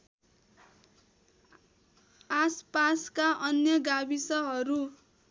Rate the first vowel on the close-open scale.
open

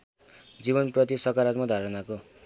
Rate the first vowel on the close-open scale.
close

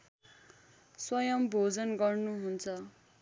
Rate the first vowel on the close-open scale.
mid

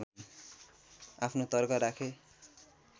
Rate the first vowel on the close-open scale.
open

